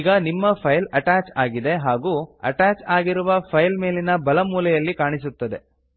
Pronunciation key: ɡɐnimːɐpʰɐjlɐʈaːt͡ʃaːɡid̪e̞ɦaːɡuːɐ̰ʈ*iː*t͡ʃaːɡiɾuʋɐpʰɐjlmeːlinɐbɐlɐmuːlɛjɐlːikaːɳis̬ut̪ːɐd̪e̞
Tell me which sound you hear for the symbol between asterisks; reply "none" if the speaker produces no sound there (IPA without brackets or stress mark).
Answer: aː